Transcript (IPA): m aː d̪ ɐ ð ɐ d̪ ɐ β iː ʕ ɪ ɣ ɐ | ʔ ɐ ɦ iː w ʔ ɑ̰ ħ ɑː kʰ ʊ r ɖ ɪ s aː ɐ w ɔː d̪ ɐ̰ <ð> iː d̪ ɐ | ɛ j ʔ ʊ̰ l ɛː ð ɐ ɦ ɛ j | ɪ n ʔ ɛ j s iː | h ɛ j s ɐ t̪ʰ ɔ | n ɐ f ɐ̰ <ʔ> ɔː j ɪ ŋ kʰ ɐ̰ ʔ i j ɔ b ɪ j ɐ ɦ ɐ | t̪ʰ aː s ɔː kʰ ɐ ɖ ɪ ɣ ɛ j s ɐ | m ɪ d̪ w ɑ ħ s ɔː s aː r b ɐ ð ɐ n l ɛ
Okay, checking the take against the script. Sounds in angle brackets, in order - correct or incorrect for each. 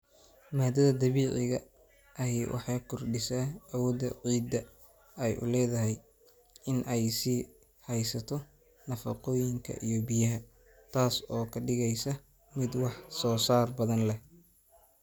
incorrect: ʕ, incorrect: q

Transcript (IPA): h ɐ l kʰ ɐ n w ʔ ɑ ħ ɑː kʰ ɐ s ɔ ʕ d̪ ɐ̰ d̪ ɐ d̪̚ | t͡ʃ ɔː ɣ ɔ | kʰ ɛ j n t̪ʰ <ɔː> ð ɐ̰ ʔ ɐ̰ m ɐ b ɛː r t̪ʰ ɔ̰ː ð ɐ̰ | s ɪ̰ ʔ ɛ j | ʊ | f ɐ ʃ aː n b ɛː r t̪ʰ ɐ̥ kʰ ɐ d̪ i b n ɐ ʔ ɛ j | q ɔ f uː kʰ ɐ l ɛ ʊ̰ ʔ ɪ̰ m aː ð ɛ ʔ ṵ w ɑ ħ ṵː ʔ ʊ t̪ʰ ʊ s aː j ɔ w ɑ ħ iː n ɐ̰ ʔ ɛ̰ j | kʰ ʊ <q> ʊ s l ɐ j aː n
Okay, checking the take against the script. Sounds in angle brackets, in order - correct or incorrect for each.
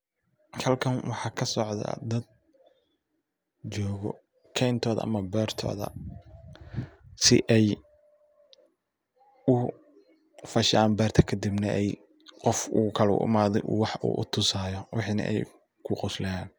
correct, correct

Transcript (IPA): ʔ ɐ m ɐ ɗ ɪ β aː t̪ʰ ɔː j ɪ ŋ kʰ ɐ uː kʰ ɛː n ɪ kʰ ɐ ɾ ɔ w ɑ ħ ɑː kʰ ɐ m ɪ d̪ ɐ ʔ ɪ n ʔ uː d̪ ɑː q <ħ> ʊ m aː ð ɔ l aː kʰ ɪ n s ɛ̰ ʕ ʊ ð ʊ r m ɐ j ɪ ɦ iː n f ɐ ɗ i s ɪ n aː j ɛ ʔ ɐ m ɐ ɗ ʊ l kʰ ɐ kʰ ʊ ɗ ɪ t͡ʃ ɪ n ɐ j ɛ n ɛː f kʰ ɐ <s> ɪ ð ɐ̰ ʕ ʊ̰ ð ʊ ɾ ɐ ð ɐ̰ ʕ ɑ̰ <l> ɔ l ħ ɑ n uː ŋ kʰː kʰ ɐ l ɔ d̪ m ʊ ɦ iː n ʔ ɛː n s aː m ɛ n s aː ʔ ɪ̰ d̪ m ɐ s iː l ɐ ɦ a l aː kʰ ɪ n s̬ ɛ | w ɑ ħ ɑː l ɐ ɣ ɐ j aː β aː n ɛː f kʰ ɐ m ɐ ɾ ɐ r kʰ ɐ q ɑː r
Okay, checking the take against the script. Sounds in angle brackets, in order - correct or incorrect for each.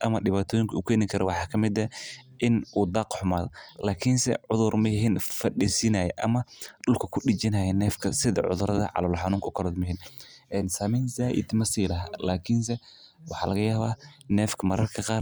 correct, correct, correct

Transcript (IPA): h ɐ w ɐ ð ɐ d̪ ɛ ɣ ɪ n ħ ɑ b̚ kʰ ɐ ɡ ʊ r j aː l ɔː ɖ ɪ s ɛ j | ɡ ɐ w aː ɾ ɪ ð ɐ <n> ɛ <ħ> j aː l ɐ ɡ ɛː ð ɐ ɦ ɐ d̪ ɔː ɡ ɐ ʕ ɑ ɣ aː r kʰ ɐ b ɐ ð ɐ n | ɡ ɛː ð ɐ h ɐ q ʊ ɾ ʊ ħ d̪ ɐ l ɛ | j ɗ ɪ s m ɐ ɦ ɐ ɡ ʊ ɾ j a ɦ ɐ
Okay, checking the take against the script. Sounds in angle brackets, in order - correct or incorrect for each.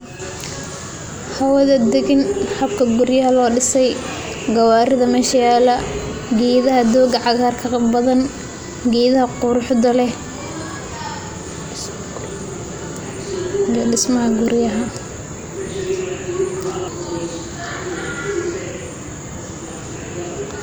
incorrect: m, incorrect: ʃ

